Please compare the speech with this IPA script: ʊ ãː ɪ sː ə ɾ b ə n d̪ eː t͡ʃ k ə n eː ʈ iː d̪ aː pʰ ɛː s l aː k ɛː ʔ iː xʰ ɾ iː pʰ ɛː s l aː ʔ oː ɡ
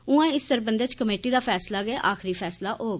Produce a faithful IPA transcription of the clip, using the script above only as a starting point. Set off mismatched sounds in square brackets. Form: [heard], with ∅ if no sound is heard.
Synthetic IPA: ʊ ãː ɪ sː ə ɾ b ə n d̪ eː t͡ʃ k ə [m] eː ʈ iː d̪ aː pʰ ɛː s l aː [ɡ] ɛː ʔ [aː] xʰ ɾ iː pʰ ɛː s l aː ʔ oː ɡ